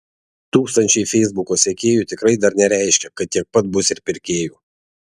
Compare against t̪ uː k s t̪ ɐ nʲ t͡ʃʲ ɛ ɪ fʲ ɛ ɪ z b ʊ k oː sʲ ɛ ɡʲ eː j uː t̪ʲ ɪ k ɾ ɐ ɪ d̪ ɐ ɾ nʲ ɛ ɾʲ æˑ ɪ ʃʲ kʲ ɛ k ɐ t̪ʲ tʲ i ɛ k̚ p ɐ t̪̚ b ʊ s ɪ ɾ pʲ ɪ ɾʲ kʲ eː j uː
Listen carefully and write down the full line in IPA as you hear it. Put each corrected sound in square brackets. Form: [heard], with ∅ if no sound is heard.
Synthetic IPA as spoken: t̪ uː k s t̪ ɐ nʲ t͡ʃʲ ɛ ɪ fʲ ɛ ɪ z b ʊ k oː sʲ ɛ [kʲ] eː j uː t̪ʲ ɪ k ɾ ɐ ɪ d̪ ɐ ɾ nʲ ɛ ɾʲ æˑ ɪ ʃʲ kʲ ɛ k ɐ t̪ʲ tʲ i ɛ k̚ p ɐ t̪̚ b ʊ s ɪ ɾ pʲ ɪ ɾʲ kʲ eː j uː